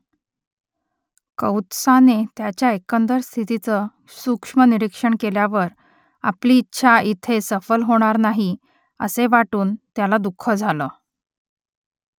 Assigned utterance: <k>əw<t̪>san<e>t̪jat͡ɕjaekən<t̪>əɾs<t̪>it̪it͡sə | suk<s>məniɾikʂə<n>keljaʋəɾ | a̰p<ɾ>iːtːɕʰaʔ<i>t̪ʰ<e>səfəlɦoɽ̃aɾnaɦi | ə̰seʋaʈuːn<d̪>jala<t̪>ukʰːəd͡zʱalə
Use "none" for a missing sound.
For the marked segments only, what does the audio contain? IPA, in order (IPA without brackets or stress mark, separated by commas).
k, t̪, e, d̪, t̪ʰ, ʂ, ɳ, l, i, e, t̪, d̪